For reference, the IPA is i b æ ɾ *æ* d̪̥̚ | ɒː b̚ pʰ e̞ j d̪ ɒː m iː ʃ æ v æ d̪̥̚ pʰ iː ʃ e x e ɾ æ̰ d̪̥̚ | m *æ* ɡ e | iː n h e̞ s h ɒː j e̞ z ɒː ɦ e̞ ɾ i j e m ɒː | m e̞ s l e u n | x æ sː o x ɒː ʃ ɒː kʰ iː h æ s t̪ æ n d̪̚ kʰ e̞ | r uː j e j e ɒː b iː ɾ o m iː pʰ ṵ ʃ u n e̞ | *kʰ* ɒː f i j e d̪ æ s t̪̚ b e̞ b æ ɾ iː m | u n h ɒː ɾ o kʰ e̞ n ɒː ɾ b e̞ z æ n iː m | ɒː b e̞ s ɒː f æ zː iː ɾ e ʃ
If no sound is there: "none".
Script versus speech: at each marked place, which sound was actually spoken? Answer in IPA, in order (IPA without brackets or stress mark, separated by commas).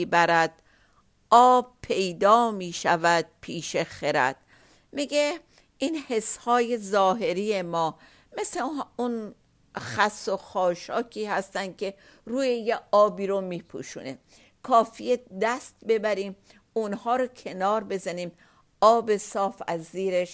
æ, i, kʰ